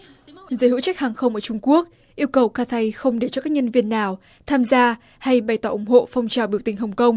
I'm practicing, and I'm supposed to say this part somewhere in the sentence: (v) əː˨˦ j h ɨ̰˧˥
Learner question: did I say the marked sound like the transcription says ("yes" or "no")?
no